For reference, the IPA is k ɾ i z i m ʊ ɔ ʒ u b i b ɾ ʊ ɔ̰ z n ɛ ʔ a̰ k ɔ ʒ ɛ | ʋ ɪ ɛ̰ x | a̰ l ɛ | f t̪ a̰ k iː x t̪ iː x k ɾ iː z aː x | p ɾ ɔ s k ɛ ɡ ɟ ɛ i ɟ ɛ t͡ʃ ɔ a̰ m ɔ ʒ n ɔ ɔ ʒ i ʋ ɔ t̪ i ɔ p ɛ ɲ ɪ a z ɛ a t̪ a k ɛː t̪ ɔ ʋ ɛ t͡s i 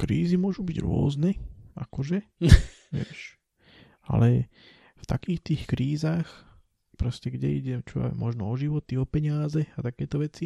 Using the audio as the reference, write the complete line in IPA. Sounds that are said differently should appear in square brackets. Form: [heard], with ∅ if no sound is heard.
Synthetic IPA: k ɾ [iː] z i m ʊ ɔ ʒ u b i [ɟ] ɾ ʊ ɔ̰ z n ɛ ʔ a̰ k ɔ ʒ ɛ | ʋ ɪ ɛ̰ [ʃ] | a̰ l ɛ | f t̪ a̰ k iː x t̪ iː x k ɾ iː z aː x | p ɾ ɔ s [c] ɛ ɡ ɟ ɛ i ɟ ɛ t͡ʃ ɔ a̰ m ɔ ʒ n ɔ ɔ ʒ i ʋ ɔ t̪ i ɔ p ɛ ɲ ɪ a z ɛ a t̪ a k ɛː t̪ ɔ ʋ ɛ t͡s i